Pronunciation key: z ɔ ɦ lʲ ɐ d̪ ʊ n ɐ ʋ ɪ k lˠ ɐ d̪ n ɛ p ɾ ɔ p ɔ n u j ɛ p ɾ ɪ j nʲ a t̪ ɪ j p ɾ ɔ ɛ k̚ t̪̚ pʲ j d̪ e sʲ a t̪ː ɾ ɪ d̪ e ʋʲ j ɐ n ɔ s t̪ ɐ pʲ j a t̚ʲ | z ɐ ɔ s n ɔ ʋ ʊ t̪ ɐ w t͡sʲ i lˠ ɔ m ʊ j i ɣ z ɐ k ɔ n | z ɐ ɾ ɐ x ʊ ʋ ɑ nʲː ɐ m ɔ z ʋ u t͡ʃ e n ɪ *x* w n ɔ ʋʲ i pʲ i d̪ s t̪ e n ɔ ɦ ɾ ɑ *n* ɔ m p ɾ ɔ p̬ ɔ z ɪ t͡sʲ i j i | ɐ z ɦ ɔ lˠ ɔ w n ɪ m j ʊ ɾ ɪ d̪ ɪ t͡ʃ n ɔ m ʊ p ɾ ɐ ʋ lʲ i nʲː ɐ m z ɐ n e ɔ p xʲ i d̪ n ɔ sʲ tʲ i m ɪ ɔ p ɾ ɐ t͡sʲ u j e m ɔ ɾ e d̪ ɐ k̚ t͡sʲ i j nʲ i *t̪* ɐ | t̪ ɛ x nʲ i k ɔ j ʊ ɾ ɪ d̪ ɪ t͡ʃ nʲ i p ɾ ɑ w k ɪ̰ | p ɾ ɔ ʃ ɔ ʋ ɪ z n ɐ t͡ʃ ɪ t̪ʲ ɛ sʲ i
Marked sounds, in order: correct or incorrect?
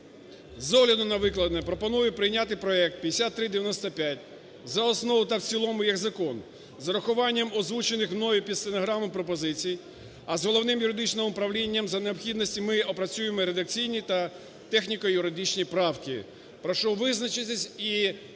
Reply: correct, incorrect: m, correct

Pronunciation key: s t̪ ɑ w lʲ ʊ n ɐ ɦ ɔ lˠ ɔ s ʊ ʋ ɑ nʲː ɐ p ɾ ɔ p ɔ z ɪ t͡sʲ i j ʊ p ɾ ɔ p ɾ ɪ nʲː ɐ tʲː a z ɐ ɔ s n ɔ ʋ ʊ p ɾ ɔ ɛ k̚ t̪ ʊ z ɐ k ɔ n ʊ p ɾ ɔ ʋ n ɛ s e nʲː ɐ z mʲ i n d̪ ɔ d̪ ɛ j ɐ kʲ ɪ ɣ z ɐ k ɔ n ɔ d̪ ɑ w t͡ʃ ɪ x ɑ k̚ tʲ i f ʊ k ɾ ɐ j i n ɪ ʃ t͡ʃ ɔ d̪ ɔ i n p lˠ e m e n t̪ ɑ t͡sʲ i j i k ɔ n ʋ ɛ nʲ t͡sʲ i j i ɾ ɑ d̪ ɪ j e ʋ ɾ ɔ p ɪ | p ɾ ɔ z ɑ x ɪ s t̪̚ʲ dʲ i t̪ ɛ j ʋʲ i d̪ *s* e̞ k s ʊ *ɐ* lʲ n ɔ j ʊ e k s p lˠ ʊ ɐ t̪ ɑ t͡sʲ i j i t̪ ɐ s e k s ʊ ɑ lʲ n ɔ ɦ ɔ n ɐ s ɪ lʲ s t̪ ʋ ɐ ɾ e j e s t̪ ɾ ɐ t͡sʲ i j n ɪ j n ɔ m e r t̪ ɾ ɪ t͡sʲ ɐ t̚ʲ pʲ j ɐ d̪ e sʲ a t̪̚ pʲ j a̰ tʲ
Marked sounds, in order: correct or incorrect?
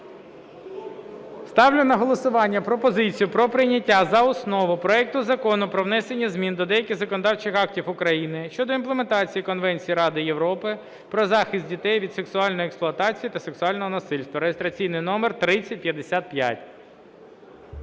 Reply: correct, incorrect: ɑ

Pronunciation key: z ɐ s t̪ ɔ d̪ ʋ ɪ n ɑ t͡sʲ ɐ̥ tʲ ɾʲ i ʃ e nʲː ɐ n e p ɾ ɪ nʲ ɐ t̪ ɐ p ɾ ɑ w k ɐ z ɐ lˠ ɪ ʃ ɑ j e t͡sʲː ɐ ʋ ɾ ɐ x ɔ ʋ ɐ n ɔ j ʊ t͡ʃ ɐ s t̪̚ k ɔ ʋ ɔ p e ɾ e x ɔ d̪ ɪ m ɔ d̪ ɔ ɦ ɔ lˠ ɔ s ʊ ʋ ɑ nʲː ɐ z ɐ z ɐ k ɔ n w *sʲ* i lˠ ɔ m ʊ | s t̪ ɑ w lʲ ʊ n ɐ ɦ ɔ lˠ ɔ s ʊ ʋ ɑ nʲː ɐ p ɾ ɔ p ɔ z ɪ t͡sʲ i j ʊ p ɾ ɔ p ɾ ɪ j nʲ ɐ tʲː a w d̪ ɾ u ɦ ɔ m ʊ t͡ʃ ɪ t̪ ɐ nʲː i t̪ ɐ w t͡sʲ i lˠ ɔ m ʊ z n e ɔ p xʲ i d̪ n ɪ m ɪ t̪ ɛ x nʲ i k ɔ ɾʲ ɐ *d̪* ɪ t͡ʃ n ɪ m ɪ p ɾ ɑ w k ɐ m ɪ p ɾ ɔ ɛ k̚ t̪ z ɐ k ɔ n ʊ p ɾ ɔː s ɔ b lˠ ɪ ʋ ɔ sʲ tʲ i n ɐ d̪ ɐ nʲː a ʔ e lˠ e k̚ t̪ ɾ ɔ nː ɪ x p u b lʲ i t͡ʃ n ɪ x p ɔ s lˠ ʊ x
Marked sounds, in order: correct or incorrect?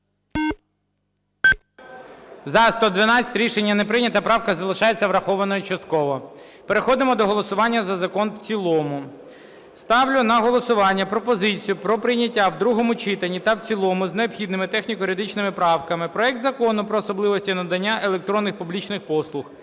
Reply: incorrect: t͡sʲ, correct

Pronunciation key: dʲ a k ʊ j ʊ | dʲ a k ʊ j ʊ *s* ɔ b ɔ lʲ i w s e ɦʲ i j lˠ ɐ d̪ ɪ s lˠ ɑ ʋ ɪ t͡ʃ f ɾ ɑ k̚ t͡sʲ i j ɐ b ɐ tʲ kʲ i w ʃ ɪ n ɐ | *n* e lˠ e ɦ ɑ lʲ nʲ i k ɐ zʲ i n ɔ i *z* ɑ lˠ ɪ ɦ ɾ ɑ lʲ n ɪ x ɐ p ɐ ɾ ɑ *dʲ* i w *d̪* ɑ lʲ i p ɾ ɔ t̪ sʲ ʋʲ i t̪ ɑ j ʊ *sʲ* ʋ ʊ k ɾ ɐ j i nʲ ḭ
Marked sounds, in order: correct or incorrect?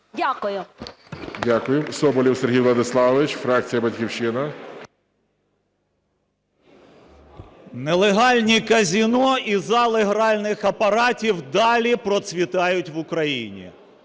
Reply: correct, correct, correct, incorrect: tʲ, correct, incorrect: tʲ

